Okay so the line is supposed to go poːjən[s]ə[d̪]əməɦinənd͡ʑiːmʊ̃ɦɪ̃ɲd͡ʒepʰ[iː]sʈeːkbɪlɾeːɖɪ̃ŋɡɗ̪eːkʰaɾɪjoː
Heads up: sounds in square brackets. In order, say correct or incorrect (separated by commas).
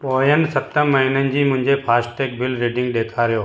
correct, incorrect, incorrect